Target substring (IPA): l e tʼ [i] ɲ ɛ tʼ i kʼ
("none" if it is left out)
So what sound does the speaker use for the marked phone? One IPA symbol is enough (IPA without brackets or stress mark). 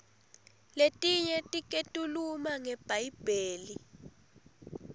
i